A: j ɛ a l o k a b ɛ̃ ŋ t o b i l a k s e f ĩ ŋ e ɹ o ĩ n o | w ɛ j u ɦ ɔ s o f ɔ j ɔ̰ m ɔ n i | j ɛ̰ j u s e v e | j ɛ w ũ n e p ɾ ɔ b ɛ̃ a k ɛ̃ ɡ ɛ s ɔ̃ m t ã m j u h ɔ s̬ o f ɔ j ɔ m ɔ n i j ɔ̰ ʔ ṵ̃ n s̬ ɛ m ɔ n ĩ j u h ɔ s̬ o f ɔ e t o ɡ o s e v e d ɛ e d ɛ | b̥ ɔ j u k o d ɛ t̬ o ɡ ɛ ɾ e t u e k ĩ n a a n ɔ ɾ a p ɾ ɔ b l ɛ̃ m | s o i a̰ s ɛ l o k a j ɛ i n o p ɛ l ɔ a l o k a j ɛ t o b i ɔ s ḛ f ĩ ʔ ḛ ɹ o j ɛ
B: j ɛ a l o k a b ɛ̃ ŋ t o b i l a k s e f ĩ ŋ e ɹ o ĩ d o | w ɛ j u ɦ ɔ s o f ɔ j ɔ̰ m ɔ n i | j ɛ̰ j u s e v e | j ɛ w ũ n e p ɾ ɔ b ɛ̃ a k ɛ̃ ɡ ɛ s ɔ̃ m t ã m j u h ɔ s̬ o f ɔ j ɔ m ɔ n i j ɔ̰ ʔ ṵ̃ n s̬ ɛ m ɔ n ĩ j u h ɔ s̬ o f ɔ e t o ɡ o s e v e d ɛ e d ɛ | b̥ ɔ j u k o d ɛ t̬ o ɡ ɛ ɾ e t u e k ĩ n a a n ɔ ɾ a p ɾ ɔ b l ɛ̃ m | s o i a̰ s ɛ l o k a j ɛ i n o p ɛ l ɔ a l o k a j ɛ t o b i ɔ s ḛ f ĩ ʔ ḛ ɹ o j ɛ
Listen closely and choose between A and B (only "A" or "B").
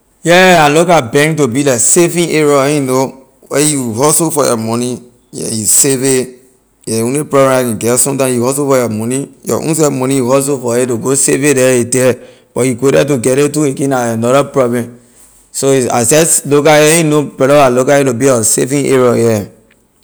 A